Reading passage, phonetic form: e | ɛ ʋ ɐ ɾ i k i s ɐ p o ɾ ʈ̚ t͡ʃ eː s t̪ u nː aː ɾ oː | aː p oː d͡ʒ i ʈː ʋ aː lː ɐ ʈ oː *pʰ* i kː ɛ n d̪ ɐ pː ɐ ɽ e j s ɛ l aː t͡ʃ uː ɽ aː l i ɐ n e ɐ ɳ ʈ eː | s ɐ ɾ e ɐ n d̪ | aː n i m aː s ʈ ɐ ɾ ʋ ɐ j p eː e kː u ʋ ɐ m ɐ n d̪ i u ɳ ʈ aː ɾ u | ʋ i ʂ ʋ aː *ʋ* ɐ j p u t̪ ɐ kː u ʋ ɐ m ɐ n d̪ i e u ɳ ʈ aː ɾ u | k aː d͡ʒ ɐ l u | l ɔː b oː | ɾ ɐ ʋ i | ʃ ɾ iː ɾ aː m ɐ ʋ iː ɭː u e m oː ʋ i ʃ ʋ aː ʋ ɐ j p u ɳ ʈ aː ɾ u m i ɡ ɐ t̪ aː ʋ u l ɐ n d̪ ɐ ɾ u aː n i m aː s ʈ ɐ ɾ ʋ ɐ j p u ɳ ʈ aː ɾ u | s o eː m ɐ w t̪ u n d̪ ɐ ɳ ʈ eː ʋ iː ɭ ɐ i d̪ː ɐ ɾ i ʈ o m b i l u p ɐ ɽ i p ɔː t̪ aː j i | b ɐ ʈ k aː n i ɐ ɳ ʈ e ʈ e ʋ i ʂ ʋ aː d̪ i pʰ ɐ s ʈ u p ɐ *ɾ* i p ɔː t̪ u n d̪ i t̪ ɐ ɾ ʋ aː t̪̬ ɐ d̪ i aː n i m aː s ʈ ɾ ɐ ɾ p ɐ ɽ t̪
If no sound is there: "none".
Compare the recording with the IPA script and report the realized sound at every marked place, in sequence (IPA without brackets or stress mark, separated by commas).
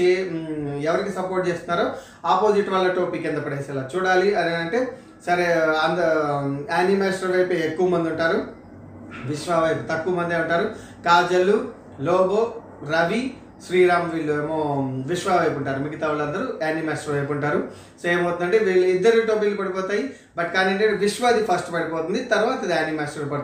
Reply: p, ʋ, ɽ